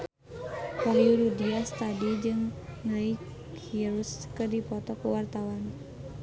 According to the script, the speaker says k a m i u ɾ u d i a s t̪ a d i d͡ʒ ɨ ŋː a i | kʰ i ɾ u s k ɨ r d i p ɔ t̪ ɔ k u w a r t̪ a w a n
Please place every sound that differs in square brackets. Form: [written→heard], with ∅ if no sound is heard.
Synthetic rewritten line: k a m i u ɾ u d i a s t̪ a d i d͡ʒ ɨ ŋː a i | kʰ i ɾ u s k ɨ r d i p ɔ t̪ ɔ k u w a r t̪ a w a n